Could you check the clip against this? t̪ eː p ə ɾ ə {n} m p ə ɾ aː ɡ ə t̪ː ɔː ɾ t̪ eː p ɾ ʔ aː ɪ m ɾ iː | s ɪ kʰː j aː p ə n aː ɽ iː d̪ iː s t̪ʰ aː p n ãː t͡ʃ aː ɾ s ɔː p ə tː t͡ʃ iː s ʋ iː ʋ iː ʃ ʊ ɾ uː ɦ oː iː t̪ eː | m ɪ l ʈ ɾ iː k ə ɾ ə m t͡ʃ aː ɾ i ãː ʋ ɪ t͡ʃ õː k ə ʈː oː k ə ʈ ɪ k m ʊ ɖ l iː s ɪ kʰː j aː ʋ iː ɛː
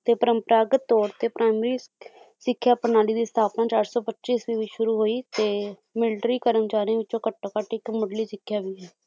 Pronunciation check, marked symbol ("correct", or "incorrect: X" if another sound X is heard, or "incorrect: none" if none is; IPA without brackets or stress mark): incorrect: none